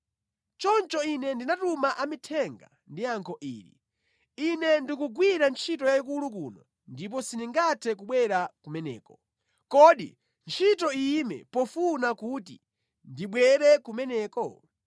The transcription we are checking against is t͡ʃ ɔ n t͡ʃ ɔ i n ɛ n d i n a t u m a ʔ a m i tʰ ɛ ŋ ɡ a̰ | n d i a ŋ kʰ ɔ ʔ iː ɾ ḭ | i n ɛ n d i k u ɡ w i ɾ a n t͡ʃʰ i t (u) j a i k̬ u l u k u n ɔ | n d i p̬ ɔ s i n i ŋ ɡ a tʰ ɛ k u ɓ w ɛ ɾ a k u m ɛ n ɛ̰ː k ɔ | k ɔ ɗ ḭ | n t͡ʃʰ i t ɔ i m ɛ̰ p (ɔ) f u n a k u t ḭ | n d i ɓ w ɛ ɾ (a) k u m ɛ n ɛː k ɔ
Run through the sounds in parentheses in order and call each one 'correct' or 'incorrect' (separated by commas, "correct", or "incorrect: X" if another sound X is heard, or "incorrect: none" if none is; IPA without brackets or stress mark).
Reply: incorrect: ɔ, correct, incorrect: ɛ